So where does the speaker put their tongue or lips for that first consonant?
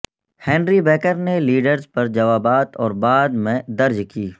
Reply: throat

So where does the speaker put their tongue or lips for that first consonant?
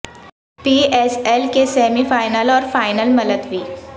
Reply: lips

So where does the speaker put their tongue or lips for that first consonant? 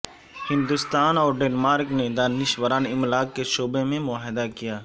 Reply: throat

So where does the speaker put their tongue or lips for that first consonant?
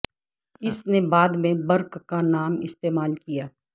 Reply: tongue tip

